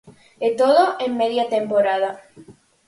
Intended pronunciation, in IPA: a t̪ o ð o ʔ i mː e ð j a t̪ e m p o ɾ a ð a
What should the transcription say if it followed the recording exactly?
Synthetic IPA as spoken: e t̪ o ð o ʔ e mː e ð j a t̪ e m p o ɾ a ð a